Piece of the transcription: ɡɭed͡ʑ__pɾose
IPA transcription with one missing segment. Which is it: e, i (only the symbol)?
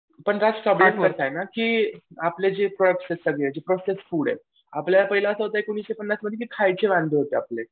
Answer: e